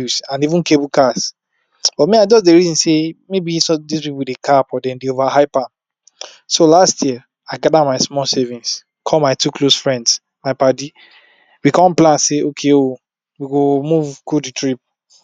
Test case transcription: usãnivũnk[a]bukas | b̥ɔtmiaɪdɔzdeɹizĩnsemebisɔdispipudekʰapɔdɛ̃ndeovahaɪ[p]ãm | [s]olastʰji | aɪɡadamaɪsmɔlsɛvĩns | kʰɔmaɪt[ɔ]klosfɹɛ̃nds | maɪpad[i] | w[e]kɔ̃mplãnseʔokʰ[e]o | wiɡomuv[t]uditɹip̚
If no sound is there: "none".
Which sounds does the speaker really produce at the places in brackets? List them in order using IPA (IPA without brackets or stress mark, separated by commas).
e, p, s, u, i, i, e, k